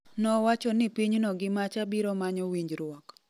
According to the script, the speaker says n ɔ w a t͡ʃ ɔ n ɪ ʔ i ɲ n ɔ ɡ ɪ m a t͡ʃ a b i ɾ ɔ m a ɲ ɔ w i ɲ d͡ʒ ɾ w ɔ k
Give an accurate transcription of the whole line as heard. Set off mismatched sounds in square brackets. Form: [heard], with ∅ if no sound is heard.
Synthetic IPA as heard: n ɔ w a t͡ʃ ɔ n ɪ [p] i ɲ n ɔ ɡ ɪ m a t͡ʃ a b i ɾ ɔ m a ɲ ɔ w i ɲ d͡ʒ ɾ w ɔ k